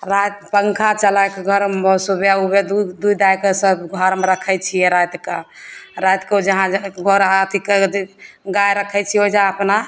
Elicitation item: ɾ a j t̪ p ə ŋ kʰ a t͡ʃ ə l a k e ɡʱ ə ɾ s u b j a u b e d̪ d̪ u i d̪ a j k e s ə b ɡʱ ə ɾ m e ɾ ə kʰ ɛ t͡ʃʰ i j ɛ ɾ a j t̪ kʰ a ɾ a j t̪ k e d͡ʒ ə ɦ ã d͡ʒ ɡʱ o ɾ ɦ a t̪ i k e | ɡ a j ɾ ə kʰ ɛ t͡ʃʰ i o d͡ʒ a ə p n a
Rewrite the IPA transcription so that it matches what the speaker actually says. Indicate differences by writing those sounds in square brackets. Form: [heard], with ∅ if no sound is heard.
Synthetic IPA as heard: ɾ a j t̪ p ə ŋ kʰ a t͡ʃ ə l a k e ɡʱ ə ɾ s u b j a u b e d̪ d̪ u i d̪ a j k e s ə b ɡʱ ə ɾ m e ɾ ə kʰ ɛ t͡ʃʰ i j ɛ ɾ a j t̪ [k] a ɾ a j t̪ k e d͡ʒ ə ɦ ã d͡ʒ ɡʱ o ɾ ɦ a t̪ i k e | ɡ a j ɾ ə kʰ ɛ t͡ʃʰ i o d͡ʒ a ə p n a

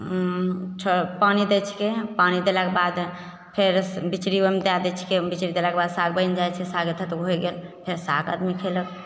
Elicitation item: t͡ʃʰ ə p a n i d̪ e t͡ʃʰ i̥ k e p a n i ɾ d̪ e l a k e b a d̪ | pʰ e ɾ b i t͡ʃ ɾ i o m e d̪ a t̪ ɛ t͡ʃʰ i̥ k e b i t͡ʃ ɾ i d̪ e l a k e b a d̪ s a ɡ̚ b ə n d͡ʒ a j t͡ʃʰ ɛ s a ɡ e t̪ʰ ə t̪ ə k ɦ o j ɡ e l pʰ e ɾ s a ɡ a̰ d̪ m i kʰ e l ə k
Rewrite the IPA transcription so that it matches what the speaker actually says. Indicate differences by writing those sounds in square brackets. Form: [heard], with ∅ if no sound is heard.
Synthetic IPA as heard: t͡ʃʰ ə p a n i d̪ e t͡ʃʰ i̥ k e p a n i [∅] d̪ e l a k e b a d̪ | pʰ e ɾ b i t͡ʃ ɾ i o m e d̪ a [d̪] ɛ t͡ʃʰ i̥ k e b i t͡ʃ ɾ i d̪ e l a k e b a d̪ s a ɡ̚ b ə n d͡ʒ a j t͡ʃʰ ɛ s a ɡ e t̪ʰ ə t̪ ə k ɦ o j ɡ e l pʰ e ɾ s a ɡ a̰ d̪ m i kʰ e l ə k

